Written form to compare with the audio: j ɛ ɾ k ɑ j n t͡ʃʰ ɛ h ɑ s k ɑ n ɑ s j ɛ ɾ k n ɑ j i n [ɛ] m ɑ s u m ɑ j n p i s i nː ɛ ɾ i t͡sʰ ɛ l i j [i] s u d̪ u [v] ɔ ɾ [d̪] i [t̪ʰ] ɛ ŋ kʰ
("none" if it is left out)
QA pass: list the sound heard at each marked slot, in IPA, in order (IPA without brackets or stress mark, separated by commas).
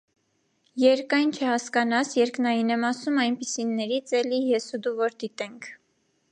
ɛ, ɛ, v, d̪, t̪